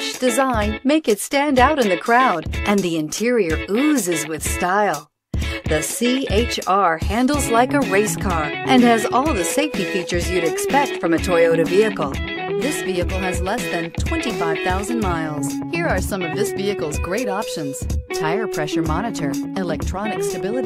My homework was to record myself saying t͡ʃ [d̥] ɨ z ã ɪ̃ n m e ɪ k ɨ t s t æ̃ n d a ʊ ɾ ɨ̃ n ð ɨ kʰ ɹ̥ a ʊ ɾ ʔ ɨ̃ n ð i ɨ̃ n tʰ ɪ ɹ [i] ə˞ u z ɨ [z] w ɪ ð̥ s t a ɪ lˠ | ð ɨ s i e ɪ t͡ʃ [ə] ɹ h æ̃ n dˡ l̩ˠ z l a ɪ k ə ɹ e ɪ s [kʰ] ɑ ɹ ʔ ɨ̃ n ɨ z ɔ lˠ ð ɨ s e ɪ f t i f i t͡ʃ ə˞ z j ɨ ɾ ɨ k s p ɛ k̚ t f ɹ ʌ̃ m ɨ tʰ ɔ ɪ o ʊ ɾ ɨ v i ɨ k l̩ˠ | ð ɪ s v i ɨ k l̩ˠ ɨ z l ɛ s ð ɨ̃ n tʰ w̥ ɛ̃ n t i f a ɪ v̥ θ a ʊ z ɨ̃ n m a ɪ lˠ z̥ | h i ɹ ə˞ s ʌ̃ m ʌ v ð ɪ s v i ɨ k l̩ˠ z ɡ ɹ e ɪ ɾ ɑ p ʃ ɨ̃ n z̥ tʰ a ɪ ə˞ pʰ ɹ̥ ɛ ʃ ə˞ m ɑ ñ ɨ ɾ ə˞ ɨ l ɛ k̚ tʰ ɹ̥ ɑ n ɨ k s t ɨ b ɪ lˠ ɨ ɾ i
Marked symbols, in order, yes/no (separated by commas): yes, yes, yes, no, yes